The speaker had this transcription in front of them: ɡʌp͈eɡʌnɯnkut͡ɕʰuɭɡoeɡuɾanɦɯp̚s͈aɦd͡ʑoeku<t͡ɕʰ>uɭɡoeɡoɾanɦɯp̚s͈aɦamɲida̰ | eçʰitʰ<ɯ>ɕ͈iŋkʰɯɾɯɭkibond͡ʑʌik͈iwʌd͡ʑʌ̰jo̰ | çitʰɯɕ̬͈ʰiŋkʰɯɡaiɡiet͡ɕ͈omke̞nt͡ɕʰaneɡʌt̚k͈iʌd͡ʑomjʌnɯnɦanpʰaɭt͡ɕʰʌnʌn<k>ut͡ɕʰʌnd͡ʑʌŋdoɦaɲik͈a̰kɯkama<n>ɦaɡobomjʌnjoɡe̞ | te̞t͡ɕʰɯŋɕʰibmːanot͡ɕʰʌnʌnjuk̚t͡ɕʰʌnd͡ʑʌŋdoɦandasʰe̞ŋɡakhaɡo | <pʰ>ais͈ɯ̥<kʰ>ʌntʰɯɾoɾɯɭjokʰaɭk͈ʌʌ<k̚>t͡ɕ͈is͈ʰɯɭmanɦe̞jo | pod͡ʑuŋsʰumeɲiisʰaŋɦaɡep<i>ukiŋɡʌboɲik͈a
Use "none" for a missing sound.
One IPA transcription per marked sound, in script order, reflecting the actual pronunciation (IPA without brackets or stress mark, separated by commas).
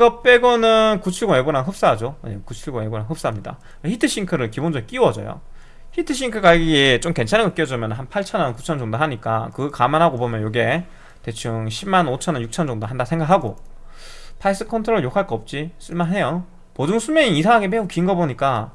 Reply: t͡ɕʰ, ɯ, k, n, pʰ, kʰ, p̚, e